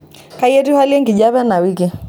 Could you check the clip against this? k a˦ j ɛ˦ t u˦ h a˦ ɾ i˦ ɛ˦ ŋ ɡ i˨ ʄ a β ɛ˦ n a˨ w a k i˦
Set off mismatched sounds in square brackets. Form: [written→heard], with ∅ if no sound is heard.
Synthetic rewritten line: k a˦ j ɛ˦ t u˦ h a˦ [ɾ→l] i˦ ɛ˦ ŋ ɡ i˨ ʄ a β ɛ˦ n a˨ w [a→i] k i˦